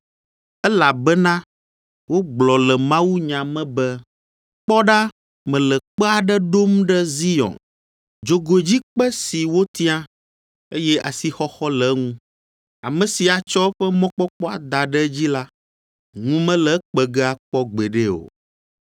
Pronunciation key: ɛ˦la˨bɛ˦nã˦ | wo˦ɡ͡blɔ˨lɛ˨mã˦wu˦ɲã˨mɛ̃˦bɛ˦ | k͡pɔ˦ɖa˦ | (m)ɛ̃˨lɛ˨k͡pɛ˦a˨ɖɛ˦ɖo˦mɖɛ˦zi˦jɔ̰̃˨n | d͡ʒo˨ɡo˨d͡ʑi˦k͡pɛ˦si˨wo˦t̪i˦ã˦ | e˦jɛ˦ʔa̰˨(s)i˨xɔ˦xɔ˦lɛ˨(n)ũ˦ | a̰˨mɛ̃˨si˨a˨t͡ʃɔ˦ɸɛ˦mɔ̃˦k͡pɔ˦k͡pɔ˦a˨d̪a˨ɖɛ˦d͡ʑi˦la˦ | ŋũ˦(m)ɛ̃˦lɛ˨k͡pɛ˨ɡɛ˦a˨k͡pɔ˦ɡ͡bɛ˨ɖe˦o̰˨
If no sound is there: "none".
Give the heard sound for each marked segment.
m, s, ŋ, m

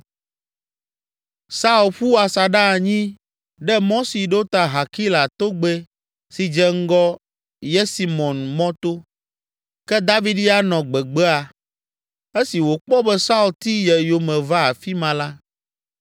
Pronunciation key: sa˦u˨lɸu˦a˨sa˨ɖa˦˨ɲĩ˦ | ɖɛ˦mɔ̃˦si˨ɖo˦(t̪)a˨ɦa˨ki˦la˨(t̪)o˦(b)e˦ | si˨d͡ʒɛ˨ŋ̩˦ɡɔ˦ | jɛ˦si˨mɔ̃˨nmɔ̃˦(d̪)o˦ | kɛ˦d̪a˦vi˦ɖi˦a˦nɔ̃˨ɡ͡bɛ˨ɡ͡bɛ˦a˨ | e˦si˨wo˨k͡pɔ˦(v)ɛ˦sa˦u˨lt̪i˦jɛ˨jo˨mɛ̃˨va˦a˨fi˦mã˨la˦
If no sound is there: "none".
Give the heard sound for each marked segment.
t̪, t̪, ɡ͡b, t̪, b

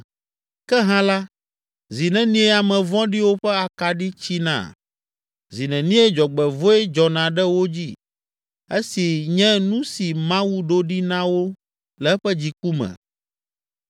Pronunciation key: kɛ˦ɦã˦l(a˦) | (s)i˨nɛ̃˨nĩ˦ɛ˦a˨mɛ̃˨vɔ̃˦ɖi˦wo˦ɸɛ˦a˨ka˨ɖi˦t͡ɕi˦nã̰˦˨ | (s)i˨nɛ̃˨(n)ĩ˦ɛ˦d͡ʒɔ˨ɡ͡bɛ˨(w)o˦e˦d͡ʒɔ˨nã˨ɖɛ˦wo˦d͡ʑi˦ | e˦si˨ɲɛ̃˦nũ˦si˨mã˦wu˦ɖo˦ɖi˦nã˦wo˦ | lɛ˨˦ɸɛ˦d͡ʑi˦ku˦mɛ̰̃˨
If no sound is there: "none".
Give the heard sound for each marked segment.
a˦, z, z, n, v

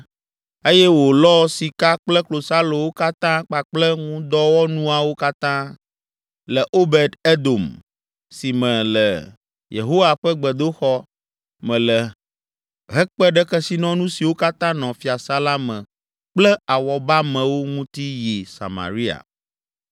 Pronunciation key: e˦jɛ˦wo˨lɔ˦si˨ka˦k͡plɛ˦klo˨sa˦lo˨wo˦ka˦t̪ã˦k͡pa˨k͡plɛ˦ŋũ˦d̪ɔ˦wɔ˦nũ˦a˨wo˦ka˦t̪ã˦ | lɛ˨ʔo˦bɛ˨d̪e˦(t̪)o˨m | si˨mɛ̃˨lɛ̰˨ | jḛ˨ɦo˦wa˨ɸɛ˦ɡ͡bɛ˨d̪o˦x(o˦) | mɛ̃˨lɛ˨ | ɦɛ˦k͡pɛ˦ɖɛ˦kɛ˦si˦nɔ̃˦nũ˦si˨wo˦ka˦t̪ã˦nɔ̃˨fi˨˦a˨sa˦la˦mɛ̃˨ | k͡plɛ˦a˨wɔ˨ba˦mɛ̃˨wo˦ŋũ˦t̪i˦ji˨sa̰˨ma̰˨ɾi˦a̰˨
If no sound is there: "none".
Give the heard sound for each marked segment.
d̪, ɔ˦

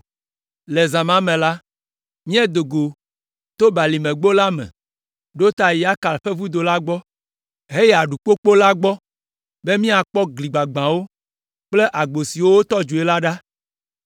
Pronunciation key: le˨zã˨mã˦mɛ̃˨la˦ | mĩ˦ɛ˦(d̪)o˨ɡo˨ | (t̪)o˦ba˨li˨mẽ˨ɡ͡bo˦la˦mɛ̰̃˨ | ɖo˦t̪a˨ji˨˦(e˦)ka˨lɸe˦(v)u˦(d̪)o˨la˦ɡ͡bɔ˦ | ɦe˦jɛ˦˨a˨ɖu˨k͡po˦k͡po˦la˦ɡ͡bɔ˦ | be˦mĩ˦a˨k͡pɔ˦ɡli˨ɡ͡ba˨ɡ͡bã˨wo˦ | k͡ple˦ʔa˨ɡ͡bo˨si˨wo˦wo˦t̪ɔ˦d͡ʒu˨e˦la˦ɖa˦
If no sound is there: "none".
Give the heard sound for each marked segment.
d̪, t̪, a˦, v, d̪

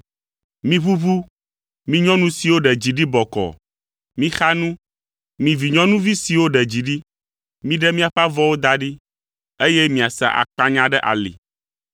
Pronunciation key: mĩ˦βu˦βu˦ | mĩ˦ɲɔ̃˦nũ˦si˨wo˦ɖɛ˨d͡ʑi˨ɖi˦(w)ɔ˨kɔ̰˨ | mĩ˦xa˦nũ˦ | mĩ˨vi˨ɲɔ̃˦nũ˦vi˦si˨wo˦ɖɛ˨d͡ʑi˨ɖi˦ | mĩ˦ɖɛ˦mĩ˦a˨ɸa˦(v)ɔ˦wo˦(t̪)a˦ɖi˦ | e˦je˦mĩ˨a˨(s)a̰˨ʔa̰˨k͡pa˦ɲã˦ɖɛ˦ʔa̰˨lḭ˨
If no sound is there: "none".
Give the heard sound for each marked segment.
b, v, d̪, s

